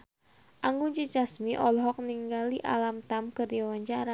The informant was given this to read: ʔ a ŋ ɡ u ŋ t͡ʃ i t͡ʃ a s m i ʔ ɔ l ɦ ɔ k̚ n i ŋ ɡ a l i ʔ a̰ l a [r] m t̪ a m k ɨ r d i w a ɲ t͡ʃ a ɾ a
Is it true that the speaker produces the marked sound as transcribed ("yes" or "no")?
no